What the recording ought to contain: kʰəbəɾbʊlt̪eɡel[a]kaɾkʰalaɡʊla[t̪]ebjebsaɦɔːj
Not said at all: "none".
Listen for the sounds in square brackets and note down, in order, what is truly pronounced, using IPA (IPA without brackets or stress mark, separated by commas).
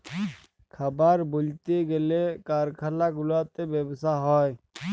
e, t̪